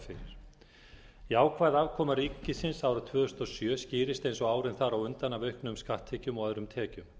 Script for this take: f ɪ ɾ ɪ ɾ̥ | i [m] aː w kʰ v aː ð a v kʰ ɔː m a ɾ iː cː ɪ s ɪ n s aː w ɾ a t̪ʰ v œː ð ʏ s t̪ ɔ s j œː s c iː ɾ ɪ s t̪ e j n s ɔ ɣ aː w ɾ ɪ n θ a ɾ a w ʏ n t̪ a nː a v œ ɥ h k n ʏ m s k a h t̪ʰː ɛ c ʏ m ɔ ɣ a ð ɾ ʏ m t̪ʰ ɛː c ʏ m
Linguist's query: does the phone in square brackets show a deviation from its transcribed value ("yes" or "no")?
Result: yes